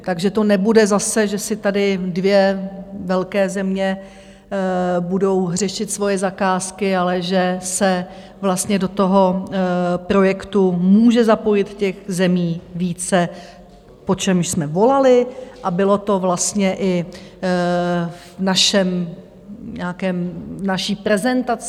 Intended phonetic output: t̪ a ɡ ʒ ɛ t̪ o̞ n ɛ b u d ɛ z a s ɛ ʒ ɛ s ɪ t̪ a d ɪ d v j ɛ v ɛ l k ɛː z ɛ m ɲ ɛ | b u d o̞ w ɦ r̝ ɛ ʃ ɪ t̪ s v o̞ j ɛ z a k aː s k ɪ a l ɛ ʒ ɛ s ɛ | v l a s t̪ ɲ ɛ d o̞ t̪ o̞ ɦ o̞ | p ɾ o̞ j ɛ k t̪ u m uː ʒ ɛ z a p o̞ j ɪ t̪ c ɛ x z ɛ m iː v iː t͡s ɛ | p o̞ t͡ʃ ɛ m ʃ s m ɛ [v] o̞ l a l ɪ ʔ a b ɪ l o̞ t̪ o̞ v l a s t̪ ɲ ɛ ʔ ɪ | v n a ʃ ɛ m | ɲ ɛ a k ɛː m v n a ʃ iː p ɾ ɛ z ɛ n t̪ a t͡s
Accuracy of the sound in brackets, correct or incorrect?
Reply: correct